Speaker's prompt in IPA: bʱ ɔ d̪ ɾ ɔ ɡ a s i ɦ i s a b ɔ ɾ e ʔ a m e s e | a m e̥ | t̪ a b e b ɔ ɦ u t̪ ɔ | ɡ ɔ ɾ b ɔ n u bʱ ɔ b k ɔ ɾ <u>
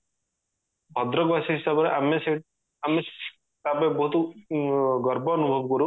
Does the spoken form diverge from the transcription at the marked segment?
no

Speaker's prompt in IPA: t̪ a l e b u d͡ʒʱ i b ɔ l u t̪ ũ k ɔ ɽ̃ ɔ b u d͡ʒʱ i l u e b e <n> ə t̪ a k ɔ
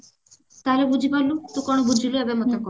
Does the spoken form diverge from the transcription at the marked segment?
yes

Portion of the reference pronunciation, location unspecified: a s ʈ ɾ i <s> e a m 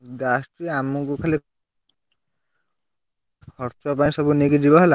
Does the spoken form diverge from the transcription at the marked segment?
yes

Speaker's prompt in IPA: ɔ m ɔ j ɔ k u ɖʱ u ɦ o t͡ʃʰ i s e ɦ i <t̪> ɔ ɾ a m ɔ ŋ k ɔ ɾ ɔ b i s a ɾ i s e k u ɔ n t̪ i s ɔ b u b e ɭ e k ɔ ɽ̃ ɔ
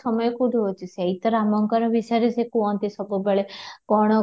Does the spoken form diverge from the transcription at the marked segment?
no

